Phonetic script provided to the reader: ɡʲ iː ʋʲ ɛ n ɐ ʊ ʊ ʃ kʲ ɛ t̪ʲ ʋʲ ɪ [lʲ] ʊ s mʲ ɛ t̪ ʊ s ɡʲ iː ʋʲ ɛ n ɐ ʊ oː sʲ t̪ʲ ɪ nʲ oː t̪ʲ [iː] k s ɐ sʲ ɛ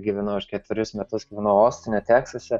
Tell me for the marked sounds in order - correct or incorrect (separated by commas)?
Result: incorrect, incorrect